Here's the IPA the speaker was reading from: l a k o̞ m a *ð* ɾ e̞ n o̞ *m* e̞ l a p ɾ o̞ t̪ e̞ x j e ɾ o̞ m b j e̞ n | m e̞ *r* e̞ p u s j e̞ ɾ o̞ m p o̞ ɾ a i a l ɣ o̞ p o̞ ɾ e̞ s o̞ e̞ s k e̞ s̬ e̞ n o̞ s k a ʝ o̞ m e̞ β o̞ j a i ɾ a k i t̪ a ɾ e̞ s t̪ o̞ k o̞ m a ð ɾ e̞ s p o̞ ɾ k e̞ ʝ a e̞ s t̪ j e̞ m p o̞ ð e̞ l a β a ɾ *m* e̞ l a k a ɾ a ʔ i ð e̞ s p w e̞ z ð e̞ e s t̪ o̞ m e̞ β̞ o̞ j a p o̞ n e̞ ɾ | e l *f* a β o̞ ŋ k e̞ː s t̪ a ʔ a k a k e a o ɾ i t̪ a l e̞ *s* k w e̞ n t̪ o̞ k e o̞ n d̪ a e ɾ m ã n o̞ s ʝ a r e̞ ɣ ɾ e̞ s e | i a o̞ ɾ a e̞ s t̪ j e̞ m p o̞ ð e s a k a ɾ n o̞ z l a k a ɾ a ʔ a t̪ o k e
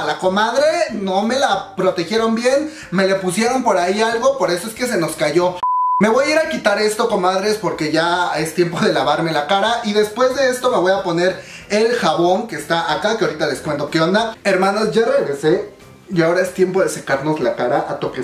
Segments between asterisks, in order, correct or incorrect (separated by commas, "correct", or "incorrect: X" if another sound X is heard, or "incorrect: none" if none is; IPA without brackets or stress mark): correct, correct, incorrect: l, correct, incorrect: x, correct